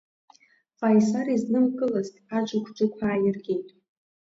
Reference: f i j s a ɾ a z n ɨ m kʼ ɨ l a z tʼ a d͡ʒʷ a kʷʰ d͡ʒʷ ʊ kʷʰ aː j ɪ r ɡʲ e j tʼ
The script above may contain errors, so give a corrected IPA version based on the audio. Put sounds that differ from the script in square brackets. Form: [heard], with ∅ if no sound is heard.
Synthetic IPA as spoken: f [a] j s a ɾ [i] z n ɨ m kʼ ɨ l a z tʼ a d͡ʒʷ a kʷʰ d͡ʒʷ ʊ kʷʰ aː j ɪ r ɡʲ e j tʼ